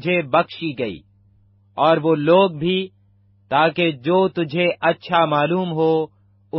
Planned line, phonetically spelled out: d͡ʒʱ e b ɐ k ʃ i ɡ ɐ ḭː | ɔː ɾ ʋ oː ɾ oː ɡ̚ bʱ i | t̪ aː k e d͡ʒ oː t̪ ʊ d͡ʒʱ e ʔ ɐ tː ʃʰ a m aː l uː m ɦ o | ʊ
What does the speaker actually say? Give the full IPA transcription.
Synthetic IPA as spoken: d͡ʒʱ e b ɐ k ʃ i ɡ ɐ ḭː | ɔː ɾ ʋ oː l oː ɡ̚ bʱ i | t̪ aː k e d͡ʒ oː t̪ ʊ d͡ʒʱ e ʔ ɐ tː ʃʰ a m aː l uː m ɦ o | ʊ